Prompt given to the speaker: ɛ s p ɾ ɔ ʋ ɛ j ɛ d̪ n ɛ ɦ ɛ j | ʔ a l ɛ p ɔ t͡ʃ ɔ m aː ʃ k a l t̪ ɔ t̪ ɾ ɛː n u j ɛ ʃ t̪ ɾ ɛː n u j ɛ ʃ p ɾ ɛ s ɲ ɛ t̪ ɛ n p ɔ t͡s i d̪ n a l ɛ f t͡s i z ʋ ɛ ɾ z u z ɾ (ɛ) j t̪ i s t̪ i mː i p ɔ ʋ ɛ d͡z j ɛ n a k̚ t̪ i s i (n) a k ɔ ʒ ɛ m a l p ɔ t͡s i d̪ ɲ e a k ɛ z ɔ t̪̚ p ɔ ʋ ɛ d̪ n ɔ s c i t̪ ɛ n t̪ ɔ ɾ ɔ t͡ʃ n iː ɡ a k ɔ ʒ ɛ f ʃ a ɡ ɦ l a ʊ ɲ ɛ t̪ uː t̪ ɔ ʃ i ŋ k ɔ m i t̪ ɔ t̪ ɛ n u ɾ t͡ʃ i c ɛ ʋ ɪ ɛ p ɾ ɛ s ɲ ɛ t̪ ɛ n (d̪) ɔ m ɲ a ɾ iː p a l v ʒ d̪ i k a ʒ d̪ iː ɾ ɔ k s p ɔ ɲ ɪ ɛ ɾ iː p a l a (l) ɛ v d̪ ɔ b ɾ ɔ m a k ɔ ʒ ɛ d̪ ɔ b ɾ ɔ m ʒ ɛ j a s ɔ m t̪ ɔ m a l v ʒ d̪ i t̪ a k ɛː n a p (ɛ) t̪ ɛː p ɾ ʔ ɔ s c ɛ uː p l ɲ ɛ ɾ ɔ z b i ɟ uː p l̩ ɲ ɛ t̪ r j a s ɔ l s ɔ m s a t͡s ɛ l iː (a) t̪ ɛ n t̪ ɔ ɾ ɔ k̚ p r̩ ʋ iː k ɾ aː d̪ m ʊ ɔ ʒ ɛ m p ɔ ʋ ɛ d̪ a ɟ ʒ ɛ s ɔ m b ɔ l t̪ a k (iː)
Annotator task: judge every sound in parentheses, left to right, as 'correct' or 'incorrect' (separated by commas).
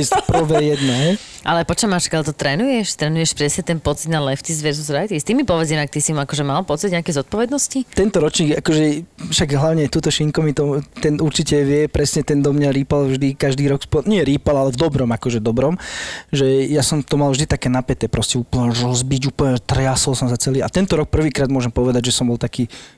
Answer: incorrect, incorrect, correct, correct, correct, correct, correct